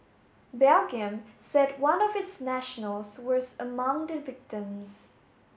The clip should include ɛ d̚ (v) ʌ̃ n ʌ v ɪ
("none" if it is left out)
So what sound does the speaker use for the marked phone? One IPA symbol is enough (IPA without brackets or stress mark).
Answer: w